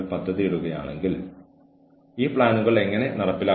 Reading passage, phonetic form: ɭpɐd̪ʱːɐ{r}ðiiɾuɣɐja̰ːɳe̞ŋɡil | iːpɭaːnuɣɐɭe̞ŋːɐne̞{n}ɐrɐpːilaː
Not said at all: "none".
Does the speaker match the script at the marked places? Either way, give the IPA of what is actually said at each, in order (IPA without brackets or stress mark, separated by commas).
none, n